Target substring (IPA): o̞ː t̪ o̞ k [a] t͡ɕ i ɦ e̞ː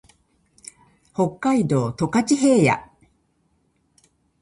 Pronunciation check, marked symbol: correct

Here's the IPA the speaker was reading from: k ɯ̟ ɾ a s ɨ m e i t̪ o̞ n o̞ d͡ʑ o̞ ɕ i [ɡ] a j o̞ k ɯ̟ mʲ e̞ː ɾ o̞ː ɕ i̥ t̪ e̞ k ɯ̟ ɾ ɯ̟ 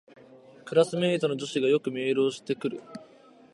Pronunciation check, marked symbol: correct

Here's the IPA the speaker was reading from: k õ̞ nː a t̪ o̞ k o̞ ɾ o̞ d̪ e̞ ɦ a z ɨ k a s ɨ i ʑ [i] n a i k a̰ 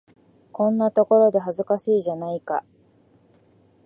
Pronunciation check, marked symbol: incorrect: a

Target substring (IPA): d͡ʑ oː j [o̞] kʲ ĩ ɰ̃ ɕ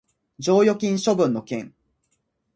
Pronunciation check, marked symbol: correct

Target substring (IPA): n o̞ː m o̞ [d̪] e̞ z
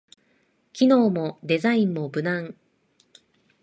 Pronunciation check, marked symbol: correct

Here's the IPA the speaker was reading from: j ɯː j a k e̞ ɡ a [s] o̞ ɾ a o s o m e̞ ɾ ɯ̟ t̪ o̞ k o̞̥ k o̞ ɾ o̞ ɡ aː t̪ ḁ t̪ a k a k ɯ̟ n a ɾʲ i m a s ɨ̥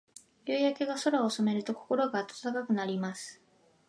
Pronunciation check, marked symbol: correct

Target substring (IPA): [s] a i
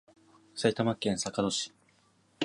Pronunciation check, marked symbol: correct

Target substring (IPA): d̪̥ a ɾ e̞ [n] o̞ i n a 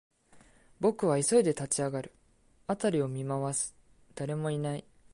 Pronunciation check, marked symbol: incorrect: m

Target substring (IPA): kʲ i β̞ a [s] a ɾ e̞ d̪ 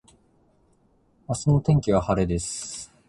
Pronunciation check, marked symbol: incorrect: h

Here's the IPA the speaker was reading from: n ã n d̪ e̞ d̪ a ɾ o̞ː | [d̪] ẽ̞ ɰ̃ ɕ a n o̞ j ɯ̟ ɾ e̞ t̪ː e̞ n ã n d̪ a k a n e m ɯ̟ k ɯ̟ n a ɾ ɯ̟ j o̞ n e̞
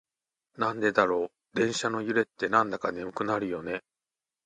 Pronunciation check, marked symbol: correct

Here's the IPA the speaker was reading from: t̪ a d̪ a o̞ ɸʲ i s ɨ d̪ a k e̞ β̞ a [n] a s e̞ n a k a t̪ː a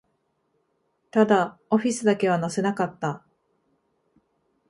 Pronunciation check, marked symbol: correct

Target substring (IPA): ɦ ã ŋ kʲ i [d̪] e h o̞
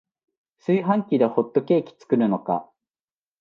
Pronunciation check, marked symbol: correct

